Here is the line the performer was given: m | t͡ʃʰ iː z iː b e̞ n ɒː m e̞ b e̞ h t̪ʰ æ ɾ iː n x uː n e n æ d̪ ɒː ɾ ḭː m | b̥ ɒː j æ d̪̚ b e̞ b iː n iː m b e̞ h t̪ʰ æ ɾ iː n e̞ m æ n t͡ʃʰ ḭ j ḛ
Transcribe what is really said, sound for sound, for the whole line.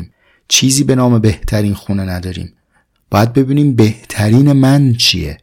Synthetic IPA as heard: m | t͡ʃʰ iː z iː b e̞ n ɒː m e̞ b e̞ h t̪ʰ æ ɾ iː n x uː n e n æ d̪ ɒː ɾ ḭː m | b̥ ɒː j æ d̪̚ b e̞ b iː n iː m b e̞ h t̪ʰ æ ɾ iː n e̞ m æ n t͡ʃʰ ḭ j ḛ